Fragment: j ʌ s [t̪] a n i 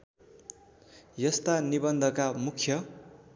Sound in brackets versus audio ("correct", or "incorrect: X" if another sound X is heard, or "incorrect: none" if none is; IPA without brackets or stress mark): correct